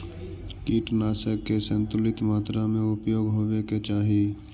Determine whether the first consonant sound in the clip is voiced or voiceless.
voiceless